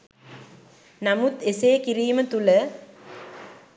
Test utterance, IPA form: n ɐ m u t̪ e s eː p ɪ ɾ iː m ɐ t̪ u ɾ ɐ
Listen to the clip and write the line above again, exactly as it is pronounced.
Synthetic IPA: n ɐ m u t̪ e s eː k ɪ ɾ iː m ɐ t̪ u l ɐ

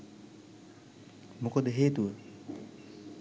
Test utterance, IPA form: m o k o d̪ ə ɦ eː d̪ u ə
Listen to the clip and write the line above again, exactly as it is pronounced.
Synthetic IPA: m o k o d̪ ə ɦ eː t̪ u ə

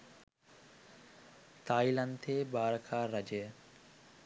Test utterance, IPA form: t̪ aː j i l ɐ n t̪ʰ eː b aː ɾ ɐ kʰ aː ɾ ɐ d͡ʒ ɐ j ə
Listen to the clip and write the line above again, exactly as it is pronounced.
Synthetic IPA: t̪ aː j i l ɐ n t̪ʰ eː b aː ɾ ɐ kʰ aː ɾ ɐ d͡ʒ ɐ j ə

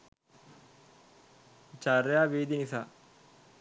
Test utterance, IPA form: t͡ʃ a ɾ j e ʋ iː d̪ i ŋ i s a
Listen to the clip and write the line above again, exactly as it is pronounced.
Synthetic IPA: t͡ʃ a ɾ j a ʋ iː d̪ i n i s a

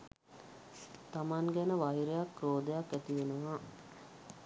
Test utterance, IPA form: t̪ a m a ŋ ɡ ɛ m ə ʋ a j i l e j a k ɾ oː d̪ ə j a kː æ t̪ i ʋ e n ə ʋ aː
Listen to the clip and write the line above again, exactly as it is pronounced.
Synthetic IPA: t̪ a m a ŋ ɡ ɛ n ə ʋ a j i ɾ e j a k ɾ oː d̪ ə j a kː æ t̪ i ʋ e n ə ʋ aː

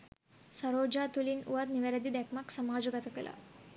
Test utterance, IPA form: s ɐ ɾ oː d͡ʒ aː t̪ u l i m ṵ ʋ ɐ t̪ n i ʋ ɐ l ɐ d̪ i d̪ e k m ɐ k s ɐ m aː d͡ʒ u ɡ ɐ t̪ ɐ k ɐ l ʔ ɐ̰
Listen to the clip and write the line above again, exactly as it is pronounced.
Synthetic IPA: s ɐ ɾ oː d͡ʒ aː t̪ u l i n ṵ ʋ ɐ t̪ n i ʋ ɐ ɾ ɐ d̪ i d̪ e k m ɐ k s ɐ m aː d͡ʒ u ɡ ɐ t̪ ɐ k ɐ l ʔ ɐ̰

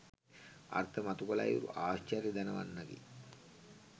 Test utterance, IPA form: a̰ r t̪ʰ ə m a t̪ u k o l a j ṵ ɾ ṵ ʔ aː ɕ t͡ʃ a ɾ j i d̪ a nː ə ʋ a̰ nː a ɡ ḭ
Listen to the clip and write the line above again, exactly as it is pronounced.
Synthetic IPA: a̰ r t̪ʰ ə m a t̪ u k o l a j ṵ ɾ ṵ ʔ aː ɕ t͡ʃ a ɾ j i d̪ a n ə ʋ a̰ nː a ɡ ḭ

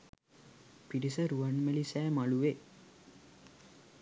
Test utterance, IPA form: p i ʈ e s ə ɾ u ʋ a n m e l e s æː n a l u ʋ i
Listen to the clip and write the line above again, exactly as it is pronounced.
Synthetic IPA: p i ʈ i s ə ɾ u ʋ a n m e l i s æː m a l u ʋ e

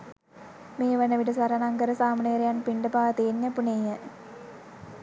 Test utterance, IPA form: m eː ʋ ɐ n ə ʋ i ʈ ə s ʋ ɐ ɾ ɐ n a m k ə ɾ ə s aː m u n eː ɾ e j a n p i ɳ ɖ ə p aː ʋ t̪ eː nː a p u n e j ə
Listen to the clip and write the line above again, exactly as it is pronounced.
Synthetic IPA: m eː ʋ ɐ n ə ʋ i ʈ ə s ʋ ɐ ɾ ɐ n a ŋ k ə ɾ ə s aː m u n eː ɾ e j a n p i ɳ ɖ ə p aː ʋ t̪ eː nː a p u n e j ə

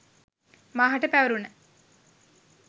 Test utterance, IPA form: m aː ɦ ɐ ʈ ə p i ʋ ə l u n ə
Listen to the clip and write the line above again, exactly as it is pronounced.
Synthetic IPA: m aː ɦ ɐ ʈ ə p æ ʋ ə ɾ u n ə

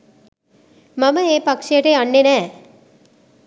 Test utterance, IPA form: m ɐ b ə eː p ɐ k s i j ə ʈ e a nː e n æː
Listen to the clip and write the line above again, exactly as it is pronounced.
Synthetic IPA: m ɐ m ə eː p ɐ k ʂ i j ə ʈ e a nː e n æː

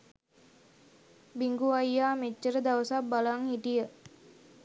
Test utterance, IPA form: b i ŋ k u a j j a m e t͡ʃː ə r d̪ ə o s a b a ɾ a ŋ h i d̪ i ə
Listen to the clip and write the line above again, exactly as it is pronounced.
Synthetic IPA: b i ŋ ɡ u a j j a m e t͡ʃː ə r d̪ a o s a b a l a ŋ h i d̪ i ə

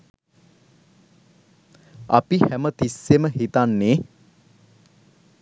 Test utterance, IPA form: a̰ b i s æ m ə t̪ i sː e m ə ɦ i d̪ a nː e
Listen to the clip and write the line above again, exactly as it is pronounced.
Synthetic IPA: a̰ p i h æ m ə t̪ i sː e m ə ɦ i t̪ a nː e

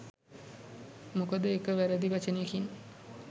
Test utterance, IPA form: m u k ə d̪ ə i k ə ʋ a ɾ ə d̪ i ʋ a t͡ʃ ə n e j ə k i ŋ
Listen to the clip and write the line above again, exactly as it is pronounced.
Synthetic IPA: m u k ə d̪ ə e k ə ʋ æ ɾ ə d̪ i ʋ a t͡ʃ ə n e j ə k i n

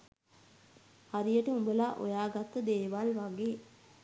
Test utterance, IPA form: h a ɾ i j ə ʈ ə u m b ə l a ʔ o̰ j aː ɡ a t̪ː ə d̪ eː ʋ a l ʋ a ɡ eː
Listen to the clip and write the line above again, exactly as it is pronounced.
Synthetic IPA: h a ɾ i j ə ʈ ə u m b ə l a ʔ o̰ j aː ɡ a t̪ː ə d̪ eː ʋ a l ʋ a ɡ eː

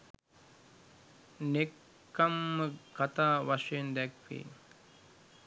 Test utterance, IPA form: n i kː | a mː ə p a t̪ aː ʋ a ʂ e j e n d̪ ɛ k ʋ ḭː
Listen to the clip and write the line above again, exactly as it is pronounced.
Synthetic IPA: n e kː | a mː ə k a t̪ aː ʋ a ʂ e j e n d̪ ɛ k ʋ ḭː

